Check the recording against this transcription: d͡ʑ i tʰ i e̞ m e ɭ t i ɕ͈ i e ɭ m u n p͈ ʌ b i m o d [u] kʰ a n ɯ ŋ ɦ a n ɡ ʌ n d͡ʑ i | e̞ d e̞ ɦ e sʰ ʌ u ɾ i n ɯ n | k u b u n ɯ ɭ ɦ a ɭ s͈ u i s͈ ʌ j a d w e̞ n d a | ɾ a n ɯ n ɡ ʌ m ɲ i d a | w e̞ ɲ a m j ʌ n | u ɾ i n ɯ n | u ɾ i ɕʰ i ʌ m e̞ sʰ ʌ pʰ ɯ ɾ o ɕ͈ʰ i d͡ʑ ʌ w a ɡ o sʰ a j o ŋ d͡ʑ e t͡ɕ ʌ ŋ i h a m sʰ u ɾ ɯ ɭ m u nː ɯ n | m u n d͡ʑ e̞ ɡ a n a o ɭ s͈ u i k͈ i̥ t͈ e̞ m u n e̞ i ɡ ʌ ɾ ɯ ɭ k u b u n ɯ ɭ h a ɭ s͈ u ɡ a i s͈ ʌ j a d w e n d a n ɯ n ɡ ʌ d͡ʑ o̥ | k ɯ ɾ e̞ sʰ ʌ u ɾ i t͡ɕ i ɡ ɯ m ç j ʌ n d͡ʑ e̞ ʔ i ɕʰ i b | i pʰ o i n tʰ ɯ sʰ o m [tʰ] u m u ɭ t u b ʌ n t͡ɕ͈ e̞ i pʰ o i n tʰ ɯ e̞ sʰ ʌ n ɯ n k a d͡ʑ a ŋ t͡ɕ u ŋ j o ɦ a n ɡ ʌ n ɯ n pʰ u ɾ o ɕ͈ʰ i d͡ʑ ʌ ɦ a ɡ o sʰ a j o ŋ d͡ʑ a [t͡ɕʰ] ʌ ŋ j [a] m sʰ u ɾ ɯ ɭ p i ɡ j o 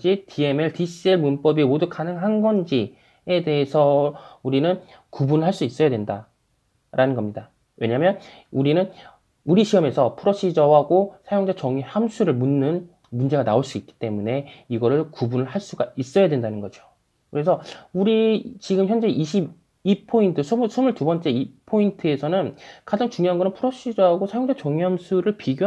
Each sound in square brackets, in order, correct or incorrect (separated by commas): correct, incorrect, incorrect, incorrect